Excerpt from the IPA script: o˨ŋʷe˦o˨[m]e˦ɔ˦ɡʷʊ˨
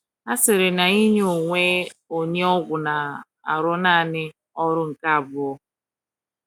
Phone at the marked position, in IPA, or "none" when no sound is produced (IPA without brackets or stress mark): ɲ